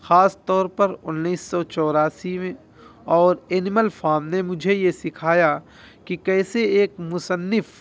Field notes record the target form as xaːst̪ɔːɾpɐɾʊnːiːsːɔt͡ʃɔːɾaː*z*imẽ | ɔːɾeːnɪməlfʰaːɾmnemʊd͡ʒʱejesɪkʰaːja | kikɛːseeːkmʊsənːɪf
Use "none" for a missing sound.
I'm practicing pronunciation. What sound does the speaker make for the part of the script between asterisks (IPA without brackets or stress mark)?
s